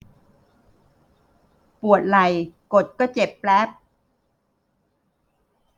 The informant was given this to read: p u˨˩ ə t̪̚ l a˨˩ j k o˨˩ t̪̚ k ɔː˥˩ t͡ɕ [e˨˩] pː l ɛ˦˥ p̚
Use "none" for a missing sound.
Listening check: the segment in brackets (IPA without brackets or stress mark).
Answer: e˨˩